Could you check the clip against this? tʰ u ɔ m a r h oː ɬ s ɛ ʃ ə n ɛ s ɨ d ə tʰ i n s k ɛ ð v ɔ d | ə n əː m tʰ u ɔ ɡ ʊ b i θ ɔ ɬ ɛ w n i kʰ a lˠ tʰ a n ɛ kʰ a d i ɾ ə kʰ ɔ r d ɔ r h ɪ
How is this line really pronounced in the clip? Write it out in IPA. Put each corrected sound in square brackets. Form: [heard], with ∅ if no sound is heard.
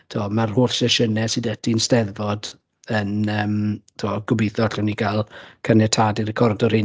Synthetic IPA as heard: tʰ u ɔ m a r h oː ɬ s ɛ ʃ ə n ɛ s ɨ d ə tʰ i n s [t] ɛ ð v ɔ d | ə n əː m tʰ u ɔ ɡ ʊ b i θ ɔ ɬ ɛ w n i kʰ a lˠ [kʰ] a n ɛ [tʰ] a d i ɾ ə kʰ ɔ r d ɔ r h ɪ

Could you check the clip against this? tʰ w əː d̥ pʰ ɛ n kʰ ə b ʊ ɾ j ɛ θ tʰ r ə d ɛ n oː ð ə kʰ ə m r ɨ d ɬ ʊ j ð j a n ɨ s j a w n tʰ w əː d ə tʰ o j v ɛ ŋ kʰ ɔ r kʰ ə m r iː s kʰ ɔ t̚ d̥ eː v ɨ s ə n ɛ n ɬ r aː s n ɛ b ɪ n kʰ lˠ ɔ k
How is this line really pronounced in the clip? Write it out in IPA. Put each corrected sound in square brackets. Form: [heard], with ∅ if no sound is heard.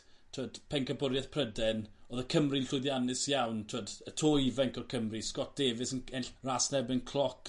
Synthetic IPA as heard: tʰ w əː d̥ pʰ ɛ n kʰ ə b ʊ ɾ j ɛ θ [pʰ] r ə d ɛ n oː ð ə kʰ ə m r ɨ [n] ɬ ʊ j ð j a n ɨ s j a w n tʰ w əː d ə tʰ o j v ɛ ŋ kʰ ɔ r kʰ ə m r [i] s [k] ɔ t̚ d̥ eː v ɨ s ə n ɛ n ɬ r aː s n ɛ b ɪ n kʰ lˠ ɔ k

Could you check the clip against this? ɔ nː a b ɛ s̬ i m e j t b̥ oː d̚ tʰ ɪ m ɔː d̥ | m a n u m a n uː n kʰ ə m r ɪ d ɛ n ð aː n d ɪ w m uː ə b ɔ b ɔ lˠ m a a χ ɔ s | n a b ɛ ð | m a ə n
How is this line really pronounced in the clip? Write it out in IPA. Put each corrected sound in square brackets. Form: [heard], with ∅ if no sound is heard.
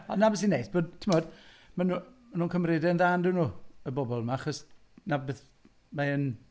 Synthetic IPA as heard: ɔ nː a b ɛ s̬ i [n] e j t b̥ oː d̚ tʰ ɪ m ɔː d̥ | m a n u m a n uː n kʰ ə m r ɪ d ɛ n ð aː n d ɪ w [n] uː ə b ɔ b ɔ lˠ m a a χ ɔ s | n a b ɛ [θ] | m a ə n

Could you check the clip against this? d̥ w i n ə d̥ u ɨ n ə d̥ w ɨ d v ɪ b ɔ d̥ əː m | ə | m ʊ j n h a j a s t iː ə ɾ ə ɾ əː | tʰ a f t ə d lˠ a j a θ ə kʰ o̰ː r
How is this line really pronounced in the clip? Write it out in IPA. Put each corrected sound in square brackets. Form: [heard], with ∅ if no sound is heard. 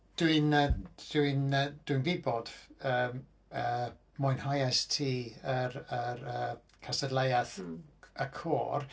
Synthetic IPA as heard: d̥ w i n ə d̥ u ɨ n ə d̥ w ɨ [n] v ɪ b ɔ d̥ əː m | ə | m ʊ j n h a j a s [tʰ] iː ə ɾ ə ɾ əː | [kʰ] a [s] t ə d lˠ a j a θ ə kʰ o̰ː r

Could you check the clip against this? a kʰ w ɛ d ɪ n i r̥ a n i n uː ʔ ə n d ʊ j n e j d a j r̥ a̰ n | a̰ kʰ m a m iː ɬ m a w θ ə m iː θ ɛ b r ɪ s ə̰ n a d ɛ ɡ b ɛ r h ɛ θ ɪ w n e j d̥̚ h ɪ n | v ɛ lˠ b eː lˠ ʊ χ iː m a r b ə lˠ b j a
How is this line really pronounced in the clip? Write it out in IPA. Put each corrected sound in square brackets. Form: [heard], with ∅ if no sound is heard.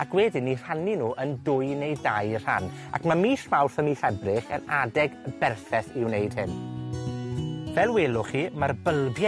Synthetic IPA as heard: a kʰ w ɛ d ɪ n i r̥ a n i n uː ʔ ə n d ʊ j n e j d a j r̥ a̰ n | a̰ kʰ m a m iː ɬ m a w θ ə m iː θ ɛ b r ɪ [χ] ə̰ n a d ɛ ɡ b ɛ r [θ] ɛ θ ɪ w n e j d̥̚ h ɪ n | v ɛ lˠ [w] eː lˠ ʊ χ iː m a r b ə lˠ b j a

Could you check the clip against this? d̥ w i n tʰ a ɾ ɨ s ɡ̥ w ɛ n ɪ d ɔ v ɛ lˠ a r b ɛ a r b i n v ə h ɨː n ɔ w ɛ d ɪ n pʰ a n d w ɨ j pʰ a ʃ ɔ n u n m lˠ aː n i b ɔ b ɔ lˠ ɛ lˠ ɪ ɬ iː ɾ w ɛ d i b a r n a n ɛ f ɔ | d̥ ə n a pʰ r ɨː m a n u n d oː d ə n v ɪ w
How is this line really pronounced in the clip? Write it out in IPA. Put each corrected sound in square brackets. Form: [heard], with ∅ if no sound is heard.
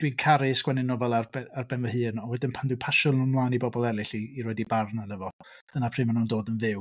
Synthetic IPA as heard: d̥ w i n [kʰ] a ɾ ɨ s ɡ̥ w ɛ n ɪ [n] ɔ v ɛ lˠ a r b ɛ a r b [ɛ] n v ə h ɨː n ɔ w ɛ d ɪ n pʰ a n d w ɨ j pʰ a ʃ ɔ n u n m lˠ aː n i b ɔ b ɔ lˠ ɛ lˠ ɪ ɬ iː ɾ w ɛ d i b a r n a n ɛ [v] ɔ | d̥ ə n a pʰ r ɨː m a n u n d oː d ə n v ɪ w

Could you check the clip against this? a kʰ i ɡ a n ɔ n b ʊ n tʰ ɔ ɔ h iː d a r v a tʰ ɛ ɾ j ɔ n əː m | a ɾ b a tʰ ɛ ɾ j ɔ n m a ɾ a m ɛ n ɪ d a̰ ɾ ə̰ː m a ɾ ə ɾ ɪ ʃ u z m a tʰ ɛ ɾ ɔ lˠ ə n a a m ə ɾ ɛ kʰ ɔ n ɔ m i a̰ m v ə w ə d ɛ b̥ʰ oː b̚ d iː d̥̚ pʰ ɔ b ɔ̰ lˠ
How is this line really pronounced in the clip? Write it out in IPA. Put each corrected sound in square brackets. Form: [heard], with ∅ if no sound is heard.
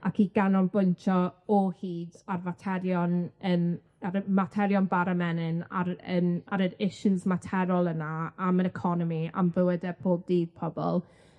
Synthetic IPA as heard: a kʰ i ɡ a n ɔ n b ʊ n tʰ ɔ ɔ h iː d a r v a tʰ ɛ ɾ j ɔ n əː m | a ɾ [m] a tʰ ɛ ɾ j ɔ n [b] a ɾ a m ɛ n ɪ [n] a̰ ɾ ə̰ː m a ɾ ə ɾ ɪ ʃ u z m a tʰ ɛ ɾ ɔ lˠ ə n a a m ə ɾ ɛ kʰ ɔ n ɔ m i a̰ m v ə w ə d ɛ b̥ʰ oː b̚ d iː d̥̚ pʰ ɔ b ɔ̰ lˠ

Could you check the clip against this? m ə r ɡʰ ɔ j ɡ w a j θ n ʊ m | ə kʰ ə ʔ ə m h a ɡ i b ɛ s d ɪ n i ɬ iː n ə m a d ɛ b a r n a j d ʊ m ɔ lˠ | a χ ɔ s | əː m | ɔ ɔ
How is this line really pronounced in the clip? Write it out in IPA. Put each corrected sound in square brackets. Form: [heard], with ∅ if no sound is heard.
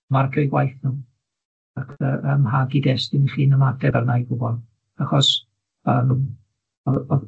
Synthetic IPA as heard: m [a] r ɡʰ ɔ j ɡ w a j θ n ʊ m | [a] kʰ ə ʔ ə m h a ɡ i [d] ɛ s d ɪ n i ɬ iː n ə m a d ɛ b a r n a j [ɡ] ʊ [b] ɔ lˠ | a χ ɔ s | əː m | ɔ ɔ

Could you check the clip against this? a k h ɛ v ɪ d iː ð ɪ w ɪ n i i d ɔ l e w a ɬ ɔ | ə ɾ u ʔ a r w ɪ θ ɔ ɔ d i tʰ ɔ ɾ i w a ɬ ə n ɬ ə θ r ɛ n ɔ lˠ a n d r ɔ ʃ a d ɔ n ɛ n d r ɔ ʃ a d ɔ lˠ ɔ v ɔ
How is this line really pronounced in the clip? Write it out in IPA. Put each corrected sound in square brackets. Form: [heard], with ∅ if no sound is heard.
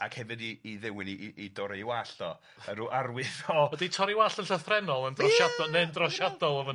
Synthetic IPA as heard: a k h ɛ v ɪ d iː ð ɪ w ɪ n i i d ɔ [ɾ] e w a ɬ ɔ | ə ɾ u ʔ a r w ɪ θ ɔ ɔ d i tʰ ɔ ɾ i w a ɬ ə n ɬ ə θ r ɛ n ɔ lˠ [ə] n d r ɔ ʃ a d ɔ n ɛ n d r ɔ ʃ a d ɔ lˠ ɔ v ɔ

